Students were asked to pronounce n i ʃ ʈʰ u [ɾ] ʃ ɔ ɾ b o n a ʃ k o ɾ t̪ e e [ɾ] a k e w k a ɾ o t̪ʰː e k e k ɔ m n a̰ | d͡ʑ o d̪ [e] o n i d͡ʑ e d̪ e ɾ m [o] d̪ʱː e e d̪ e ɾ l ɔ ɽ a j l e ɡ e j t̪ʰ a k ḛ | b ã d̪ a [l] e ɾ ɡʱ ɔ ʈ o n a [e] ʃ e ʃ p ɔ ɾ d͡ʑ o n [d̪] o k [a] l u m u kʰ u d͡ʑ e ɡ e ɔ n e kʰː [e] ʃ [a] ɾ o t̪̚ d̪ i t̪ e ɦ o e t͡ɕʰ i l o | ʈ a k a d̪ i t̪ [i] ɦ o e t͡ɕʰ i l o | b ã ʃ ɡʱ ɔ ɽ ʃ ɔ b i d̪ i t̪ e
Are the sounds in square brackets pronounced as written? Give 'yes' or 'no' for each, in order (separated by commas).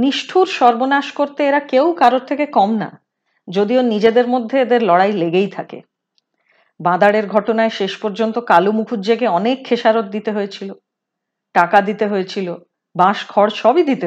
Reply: yes, yes, no, yes, no, yes, no, yes, yes, yes, no